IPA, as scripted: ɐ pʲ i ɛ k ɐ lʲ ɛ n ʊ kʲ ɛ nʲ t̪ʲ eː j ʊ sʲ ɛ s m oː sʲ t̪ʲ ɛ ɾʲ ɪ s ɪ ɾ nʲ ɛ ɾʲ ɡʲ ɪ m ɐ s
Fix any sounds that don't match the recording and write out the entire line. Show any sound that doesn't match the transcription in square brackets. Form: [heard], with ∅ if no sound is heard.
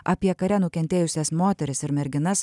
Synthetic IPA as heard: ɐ pʲ i ɛ k ɐ [ɾʲ] ɛ n ʊ kʲ ɛ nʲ t̪ʲ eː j ʊ sʲ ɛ s m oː [∅] t̪ʲ ɛ ɾʲ ɪ s ɪ ɾ [mʲ] ɛ ɾʲ ɡʲ ɪ [n] ɐ s